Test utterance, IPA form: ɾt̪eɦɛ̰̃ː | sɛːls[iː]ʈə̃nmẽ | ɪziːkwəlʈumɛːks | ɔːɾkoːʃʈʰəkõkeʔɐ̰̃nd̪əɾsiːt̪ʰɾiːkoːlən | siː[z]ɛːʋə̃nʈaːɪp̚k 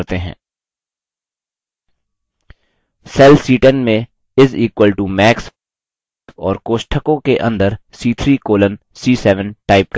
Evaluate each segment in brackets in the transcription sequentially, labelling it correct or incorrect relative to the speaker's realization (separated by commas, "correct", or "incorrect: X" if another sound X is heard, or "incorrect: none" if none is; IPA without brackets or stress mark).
correct, incorrect: s